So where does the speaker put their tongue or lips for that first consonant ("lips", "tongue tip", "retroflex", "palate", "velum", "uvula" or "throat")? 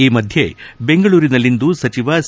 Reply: lips